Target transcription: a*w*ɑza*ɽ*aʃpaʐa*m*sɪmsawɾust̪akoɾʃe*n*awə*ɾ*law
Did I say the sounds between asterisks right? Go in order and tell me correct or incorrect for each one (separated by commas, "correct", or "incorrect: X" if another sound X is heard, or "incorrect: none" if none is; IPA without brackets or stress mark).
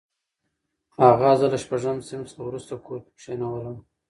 incorrect: ɣ, incorrect: l, correct, correct, incorrect: none